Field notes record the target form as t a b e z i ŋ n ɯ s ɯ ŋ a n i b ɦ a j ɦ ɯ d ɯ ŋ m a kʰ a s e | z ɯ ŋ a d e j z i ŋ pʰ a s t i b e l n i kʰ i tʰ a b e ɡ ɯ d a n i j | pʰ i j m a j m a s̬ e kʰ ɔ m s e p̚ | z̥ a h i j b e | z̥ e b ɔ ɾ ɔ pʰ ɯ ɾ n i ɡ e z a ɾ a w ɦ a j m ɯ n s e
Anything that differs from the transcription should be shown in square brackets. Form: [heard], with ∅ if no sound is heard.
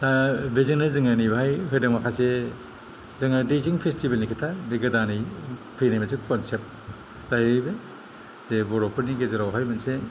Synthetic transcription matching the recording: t a b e z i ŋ n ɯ [z] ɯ ŋ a n i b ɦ a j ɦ ɯ d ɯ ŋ m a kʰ a s e | z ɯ ŋ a d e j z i ŋ pʰ [e] s t i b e l n i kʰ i tʰ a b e ɡ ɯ d a n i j | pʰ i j [n] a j m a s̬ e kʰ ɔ [n] s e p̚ | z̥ a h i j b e | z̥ e b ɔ ɾ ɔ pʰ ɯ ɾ n i ɡ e z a ɾ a w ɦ a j m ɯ n s e